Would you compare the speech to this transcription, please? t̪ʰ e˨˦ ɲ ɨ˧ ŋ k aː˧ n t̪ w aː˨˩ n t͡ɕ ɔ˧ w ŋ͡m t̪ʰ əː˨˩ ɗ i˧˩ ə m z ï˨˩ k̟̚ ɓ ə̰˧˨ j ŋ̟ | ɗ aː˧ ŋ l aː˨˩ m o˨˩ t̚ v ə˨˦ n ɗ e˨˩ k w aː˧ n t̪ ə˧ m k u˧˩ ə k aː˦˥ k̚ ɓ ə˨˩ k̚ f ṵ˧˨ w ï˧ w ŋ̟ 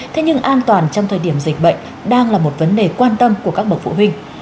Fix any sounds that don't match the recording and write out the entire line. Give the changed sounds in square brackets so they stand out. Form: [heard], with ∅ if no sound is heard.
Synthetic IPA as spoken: t̪ʰ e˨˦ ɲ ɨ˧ ŋ [ʔ] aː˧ n t̪ w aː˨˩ n t͡ɕ ɔ˧ w ŋ͡m t̪ʰ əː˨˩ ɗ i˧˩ ə m z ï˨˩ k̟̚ ɓ ə̰˧˨ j ŋ̟ | ɗ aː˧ ŋ l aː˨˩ m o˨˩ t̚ v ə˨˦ n ɗ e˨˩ k w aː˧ n t̪ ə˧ m k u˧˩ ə k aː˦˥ k̚ ɓ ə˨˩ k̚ f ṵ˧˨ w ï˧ [∅] ŋ̟